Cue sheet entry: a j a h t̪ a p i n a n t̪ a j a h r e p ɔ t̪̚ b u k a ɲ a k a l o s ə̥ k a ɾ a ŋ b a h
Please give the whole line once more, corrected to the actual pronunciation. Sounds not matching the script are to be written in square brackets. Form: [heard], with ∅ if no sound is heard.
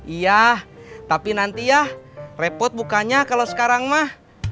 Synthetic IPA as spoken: [i] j a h t̪ a p i n a n t̪ [i] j a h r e p ɔ t̪̚ b u k a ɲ a k a l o s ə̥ k a ɾ a ŋ [m] a h